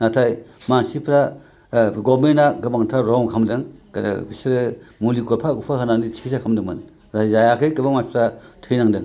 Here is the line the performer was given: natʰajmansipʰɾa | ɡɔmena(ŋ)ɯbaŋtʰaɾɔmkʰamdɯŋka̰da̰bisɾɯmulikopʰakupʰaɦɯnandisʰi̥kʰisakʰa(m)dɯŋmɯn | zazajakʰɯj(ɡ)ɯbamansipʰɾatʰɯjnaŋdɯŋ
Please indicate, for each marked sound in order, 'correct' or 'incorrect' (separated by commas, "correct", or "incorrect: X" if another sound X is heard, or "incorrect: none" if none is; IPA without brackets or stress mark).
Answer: incorrect: ɡ, correct, incorrect: k